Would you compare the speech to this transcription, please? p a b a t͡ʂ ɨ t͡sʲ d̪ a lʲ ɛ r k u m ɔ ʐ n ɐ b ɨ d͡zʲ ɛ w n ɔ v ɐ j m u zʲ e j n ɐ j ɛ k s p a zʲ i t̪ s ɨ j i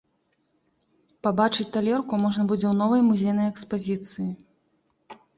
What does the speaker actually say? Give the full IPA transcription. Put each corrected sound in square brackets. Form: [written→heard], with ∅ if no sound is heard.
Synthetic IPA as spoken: p a b a t͡ʂ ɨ t͡sʲ [d̪→t̪] a lʲ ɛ r k u m ɔ ʐ n ɐ b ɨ d͡zʲ ɛ w n ɔ v ɐ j m u zʲ e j n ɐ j ɛ k s p a zʲ i t̪ s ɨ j i